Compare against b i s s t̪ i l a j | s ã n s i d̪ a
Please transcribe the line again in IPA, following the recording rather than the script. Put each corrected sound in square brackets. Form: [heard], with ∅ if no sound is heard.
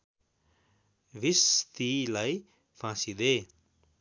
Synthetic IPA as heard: [v] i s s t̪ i l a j | [f] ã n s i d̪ [e]